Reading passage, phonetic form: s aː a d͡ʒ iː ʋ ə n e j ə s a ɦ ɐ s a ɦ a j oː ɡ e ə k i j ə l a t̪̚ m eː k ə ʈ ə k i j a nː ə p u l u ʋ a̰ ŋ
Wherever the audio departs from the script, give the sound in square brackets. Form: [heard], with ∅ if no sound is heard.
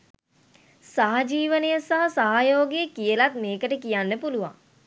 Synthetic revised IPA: s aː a d͡ʒ iː ʋ ə n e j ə s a ɦ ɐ s a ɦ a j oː ɡ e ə k i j ə l a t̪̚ m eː k ə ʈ ə k i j a nː ə p u l u ʋ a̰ ŋ